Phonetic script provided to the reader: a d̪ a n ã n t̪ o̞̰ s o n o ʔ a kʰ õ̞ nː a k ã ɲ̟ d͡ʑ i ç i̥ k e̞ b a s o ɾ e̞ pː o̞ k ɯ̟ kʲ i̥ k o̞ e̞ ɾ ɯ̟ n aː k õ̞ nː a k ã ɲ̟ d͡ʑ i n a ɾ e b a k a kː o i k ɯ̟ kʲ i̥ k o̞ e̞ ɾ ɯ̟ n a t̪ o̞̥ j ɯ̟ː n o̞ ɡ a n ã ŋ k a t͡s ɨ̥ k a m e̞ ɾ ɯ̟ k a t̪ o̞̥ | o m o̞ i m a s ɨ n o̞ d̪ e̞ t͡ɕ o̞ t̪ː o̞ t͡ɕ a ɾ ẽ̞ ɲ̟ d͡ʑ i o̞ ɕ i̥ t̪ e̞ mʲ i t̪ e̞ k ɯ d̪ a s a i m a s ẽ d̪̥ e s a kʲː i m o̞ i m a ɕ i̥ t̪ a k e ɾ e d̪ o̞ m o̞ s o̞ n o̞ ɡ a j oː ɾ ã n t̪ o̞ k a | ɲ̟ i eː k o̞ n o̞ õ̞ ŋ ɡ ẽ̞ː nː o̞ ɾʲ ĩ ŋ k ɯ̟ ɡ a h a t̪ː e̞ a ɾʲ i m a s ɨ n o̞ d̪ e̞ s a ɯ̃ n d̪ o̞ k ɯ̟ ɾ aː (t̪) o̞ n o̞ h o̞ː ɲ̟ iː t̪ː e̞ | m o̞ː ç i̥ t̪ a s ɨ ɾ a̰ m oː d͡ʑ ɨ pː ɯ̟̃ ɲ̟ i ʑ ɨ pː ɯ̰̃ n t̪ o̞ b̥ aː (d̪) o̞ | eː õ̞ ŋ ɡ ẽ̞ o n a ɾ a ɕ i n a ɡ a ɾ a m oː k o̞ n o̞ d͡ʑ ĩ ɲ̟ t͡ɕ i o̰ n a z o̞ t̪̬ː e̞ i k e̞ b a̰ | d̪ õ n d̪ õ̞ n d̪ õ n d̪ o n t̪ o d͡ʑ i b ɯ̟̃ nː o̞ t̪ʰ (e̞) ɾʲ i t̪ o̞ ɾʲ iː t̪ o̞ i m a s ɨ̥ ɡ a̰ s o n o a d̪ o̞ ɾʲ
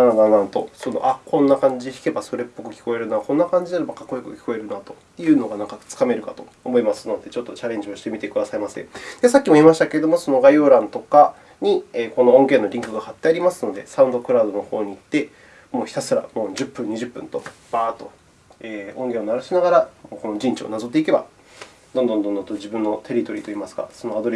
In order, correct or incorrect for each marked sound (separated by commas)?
incorrect, incorrect, correct